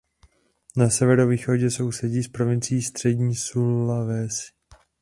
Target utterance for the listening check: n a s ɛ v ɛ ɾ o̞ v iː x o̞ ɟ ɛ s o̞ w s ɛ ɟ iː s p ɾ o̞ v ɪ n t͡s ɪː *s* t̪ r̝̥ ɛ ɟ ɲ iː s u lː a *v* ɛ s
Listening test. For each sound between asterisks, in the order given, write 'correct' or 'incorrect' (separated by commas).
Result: correct, correct